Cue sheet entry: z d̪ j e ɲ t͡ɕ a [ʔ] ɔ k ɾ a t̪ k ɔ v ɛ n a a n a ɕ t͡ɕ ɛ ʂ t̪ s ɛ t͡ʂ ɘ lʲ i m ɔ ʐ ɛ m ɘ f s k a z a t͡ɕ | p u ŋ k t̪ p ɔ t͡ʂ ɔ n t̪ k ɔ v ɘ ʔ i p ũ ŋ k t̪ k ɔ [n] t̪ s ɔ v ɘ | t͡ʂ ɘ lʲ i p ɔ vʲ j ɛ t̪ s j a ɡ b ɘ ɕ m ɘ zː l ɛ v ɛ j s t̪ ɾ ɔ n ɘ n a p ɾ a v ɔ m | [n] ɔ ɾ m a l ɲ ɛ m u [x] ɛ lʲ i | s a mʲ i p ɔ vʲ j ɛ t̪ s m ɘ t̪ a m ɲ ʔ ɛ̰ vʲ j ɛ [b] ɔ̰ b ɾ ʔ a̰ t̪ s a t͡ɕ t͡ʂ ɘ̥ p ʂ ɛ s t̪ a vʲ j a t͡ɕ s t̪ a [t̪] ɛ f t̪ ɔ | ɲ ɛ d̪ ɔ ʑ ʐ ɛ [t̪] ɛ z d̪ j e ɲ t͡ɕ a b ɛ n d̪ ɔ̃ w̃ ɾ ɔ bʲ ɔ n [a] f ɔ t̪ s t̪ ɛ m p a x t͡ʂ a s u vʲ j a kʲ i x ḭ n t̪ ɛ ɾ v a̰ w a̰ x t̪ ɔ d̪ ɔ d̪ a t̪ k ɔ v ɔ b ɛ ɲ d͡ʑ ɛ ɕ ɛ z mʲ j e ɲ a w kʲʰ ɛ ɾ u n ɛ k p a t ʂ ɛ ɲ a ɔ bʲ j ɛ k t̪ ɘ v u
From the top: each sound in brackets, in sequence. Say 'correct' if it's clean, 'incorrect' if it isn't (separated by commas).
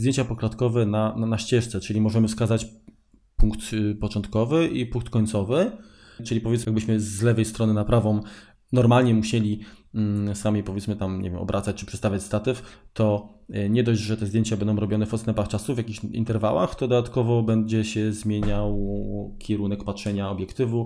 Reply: incorrect, incorrect, correct, incorrect, incorrect, correct, correct, incorrect